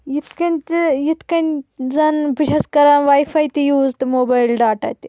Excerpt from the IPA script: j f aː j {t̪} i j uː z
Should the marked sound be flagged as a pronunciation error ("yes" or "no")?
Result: no